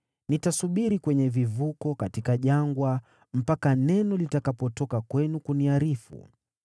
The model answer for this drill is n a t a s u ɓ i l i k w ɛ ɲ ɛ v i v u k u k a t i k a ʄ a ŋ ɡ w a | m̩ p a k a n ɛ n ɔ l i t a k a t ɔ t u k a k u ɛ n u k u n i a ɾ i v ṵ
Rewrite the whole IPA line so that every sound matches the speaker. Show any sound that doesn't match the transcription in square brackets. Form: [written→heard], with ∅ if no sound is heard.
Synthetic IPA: n [a→i] t a s u ɓ i [l→ɾ] i k w ɛ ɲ ɛ v i v u k [u→ɔ] k a t i k a ʄ a ŋ ɡ w a | m̩ p a k a n ɛ n ɔ l i t a k a [t→p] ɔ t [u→ɔ] k a k [u→w] ɛ n u k u n i a ɾ i [v→f] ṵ